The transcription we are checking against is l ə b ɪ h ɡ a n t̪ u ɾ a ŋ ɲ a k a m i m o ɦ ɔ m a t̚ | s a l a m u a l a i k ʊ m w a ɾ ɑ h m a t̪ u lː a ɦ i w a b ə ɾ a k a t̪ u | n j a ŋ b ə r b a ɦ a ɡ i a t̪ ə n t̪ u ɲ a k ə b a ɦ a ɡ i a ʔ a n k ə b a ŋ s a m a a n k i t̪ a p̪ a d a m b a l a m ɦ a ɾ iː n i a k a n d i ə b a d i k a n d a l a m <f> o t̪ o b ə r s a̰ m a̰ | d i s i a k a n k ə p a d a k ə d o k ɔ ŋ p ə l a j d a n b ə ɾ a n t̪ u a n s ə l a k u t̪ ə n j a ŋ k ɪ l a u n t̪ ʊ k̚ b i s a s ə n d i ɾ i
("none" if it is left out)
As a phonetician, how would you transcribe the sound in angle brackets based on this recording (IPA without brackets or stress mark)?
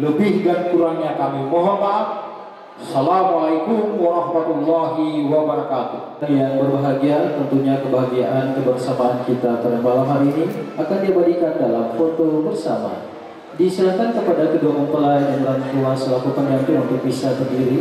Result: f